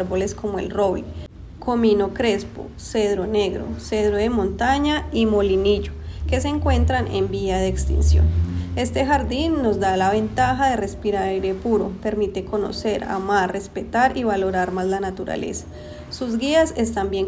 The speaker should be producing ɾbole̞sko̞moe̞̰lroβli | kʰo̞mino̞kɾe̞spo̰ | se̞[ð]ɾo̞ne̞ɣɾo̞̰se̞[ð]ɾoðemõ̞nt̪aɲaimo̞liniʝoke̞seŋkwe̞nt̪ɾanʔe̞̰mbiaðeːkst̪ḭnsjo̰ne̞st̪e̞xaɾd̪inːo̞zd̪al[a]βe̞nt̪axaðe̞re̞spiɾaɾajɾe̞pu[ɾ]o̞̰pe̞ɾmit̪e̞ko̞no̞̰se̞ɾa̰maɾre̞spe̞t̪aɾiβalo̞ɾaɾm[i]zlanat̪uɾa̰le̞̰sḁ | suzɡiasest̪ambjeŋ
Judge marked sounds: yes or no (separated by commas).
yes, yes, yes, yes, no